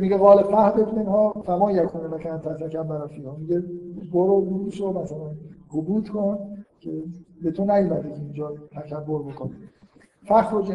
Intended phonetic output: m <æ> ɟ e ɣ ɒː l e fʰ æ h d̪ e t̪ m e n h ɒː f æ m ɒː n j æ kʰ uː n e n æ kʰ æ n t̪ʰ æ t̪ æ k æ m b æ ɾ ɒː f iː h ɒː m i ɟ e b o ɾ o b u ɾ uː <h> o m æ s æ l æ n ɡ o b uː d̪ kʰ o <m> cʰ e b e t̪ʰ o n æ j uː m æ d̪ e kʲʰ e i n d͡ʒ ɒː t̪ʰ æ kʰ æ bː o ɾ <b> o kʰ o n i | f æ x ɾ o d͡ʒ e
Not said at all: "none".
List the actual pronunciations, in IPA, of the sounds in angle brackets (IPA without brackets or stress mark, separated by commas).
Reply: i, ʃ, n, b